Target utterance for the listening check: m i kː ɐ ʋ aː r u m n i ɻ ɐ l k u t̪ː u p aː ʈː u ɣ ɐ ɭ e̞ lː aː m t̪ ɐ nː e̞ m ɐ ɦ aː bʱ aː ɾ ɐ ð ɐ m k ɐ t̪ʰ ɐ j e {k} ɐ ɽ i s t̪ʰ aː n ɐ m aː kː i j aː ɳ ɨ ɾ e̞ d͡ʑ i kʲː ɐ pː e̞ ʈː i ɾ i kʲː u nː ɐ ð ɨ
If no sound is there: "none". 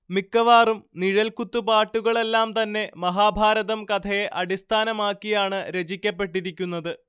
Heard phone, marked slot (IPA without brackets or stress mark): ʔ